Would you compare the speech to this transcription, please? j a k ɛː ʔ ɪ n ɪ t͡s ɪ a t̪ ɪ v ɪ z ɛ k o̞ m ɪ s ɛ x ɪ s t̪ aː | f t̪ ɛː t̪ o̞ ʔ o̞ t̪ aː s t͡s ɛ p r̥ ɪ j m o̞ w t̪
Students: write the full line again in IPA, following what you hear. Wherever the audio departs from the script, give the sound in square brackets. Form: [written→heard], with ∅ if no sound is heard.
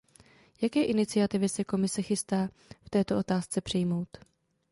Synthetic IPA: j a k ɛː ʔ ɪ n ɪ t͡s ɪ a t̪ ɪ v ɪ [z→s] ɛ k o̞ m ɪ s ɛ x ɪ s t̪ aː | f t̪ ɛː t̪ o̞ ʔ o̞ t̪ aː s t͡s ɛ p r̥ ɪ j m o̞ w t̪